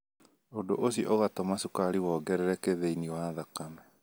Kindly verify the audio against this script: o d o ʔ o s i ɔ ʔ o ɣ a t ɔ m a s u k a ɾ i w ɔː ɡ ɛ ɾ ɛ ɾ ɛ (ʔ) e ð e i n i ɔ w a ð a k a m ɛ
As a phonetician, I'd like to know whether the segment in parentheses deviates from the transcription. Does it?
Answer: yes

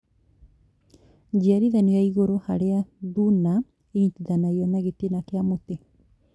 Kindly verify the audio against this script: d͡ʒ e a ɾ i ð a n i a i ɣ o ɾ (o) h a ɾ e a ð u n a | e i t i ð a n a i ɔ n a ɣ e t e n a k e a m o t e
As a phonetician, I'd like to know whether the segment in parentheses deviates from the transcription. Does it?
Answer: no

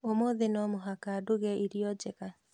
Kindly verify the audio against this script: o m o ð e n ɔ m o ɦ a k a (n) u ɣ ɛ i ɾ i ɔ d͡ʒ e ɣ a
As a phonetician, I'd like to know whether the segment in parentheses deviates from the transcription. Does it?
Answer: yes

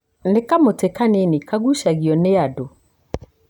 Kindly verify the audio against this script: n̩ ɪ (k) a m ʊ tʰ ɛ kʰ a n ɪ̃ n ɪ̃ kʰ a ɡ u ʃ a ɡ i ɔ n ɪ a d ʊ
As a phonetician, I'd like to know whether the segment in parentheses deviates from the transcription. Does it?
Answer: no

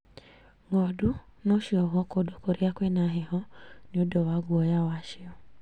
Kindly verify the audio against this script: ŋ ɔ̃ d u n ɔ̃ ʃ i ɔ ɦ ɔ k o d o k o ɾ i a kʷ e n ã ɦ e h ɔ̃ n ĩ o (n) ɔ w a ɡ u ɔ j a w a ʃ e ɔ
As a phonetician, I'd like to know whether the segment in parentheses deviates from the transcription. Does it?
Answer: yes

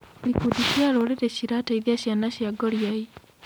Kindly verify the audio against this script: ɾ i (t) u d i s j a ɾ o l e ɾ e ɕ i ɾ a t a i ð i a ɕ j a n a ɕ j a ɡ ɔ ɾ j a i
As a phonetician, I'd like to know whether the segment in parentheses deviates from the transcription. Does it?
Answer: yes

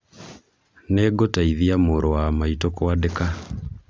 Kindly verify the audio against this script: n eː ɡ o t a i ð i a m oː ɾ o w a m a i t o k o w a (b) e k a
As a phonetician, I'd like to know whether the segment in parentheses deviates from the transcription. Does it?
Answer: yes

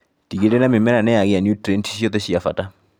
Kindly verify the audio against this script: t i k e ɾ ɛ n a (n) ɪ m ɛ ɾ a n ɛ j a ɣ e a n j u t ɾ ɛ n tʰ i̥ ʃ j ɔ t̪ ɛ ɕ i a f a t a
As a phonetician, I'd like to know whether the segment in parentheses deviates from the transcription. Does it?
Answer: yes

